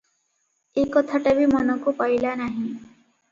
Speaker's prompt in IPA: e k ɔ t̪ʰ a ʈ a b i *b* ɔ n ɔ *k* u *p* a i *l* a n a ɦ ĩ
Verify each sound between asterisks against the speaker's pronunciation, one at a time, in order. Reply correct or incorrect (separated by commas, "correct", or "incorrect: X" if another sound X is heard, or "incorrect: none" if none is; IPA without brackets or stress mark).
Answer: incorrect: m, correct, correct, correct